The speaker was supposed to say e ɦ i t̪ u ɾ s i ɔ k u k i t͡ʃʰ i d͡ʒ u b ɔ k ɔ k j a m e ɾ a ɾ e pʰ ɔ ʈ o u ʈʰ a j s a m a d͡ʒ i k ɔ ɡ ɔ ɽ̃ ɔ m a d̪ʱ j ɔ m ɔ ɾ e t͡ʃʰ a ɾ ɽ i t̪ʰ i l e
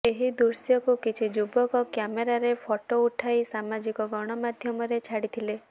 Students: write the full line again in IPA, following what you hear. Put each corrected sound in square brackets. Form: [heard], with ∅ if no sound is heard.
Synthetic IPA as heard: e ɦ i [d̪] u ɾ s [j] ɔ k u k i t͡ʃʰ i d͡ʒ u b ɔ k ɔ k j a m e ɾ a ɾ e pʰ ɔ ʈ o u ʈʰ a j s a m a d͡ʒ i k ɔ ɡ ɔ ɽ̃ ɔ m a d̪ʱ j ɔ m ɔ ɾ e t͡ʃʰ a [∅] ɽ i t̪ʰ i l e

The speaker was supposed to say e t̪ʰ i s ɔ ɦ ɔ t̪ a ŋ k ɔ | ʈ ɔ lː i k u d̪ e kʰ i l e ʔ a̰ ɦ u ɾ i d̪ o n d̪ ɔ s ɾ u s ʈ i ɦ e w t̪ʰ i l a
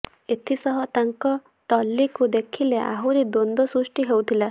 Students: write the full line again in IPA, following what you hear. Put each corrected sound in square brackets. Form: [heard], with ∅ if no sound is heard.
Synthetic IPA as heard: e t̪ʰ i s ɔ ɦ ɔ t̪ a ŋ k ɔ | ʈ ɔ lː i k u d̪ e kʰ i l e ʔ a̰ ɦ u ɾ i d̪ o n d̪ ɔ s ɾ u s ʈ i ɦ e w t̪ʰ i l a

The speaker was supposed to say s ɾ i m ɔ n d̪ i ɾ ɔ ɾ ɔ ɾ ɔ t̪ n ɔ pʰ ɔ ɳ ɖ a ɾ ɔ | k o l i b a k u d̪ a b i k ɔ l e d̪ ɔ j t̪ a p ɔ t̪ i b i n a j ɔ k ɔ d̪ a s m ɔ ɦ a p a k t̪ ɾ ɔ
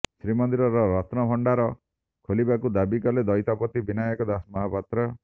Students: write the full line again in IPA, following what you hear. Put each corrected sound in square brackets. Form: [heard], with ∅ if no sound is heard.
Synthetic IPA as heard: s ɾ i m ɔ n d̪ i ɾ ɔ ɾ ɔ ɾ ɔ t̪ n ɔ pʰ ɔ ɳ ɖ a ɾ ɔ | [kʰ] o l i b a k u d̪ a b i k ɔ l e d̪ ɔ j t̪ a p ɔ t̪ i b i n a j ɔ k ɔ d̪ a s m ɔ ɦ a p a [∅] t̪ ɾ ɔ

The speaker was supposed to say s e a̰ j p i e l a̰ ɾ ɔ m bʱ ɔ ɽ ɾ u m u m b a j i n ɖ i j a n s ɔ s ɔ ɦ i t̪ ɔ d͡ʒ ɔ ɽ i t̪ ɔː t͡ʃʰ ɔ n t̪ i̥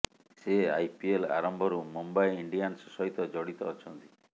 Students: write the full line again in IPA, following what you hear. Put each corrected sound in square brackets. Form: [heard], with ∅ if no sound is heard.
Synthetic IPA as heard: s e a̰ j p i e l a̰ ɾ ɔ m bʱ ɔ [∅] ɾ u m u m b a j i [ɳ] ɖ i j a n s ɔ s ɔ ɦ i t̪ ɔ d͡ʒ ɔ ɽ i t̪ ɔː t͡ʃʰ ɔ n t̪ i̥

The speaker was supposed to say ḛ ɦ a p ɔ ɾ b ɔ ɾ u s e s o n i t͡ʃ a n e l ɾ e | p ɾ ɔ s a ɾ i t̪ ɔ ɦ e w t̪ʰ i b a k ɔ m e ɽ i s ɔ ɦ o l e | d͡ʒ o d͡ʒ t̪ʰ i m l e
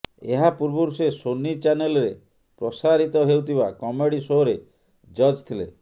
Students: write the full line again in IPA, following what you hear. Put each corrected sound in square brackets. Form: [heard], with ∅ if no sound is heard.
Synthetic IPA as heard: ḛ ɦ a p [u] ɾ b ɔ ɾ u s e s o n i t͡ʃ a n e l ɾ e | p ɾ ɔ s a ɾ i t̪ ɔ ɦ e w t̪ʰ i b a k ɔ m e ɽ i s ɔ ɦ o [ɾ] e | d͡ʒ [ɔ] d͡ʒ t̪ʰ i [∅] l e

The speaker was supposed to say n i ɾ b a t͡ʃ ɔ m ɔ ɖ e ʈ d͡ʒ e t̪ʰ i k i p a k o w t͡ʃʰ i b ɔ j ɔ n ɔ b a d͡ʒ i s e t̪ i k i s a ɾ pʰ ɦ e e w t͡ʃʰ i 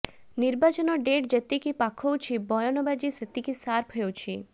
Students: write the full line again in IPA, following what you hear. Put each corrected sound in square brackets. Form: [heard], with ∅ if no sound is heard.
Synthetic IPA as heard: n i ɾ b a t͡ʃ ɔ [n] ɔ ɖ e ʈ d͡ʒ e [t̪] i k i p a [kʰ] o w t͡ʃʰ i b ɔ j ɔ n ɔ b a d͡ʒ i s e t̪ i k i s a ɾ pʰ ɦ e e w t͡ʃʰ i

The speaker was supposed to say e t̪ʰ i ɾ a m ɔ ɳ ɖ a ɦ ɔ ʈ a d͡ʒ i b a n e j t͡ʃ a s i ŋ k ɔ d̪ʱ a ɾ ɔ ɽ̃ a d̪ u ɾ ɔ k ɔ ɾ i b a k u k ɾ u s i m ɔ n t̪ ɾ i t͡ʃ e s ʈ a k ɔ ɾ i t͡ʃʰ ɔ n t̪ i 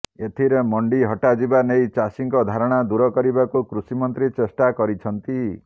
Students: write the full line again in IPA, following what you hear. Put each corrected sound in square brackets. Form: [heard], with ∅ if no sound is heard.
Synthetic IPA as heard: e t̪ʰ i ɾ [e] m ɔ ɳ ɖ [i] ɦ ɔ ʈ a d͡ʒ i b a n e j t͡ʃ a s i ŋ k ɔ d̪ʱ a ɾ ɔ ɽ̃ a d̪ u ɾ ɔ k ɔ ɾ i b a k u k ɾ u s i m ɔ n t̪ ɾ i t͡ʃ e s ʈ a k ɔ ɾ i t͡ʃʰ ɔ n t̪ i

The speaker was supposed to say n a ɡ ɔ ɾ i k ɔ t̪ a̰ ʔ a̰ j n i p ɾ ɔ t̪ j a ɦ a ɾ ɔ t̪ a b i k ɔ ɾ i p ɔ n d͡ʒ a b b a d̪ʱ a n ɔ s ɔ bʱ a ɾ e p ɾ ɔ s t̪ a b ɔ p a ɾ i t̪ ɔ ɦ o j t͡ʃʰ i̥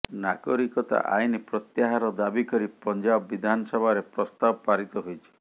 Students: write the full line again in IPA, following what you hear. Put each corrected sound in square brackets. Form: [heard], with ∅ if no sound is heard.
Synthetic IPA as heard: n a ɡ ɔ ɾ i k ɔ t̪ a̰ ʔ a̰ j n i p ɾ ɔ t̪ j a ɦ a ɾ ɔ [d̪] a b i k ɔ ɾ i p ɔ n d͡ʒ a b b [i] d̪ʱ a n ɔ s ɔ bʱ a ɾ e p ɾ ɔ s t̪ a b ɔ p a ɾ i t̪ ɔ ɦ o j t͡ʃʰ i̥

